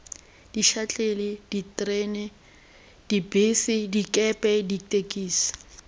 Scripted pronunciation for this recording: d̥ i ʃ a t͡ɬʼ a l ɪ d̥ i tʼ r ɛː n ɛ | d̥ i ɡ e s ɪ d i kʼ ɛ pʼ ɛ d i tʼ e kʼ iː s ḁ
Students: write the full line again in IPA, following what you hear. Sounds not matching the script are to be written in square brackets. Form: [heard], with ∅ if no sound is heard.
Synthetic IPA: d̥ i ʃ a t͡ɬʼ [e] l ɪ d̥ i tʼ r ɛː n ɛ | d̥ i [b] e s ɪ d i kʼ ɛ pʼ ɛ d i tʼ e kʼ iː s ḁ